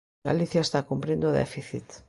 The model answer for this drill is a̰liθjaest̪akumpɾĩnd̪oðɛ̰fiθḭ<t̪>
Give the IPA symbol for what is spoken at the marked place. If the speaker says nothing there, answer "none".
t̪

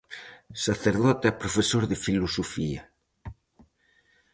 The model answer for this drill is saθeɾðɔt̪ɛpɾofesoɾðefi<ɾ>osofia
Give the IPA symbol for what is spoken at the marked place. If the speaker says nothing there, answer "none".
l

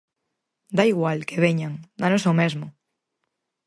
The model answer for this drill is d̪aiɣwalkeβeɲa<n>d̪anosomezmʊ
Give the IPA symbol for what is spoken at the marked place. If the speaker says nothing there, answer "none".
ŋ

